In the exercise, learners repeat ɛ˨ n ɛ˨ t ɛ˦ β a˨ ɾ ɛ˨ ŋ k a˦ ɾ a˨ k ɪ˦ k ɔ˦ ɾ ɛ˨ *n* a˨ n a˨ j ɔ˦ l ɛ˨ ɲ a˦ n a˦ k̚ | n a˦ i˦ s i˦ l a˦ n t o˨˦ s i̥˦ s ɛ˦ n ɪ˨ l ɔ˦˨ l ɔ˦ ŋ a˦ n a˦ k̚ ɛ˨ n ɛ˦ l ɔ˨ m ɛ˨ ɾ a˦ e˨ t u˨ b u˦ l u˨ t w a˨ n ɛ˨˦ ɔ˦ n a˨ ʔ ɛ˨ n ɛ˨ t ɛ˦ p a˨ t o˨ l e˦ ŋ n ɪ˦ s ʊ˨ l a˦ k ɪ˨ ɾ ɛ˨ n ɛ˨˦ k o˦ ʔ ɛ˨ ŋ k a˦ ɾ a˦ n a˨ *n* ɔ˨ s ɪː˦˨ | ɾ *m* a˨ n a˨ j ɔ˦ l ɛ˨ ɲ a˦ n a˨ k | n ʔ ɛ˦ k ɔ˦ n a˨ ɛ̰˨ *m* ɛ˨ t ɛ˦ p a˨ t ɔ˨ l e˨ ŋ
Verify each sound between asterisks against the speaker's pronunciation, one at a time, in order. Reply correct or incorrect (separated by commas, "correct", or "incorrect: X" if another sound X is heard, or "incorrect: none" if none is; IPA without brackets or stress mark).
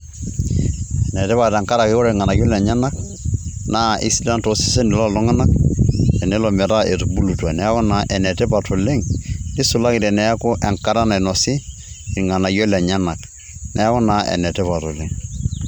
incorrect: ŋ, correct, incorrect: ŋ, incorrect: n